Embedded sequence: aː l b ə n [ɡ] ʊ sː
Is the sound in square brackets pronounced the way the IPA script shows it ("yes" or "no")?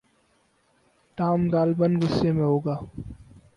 yes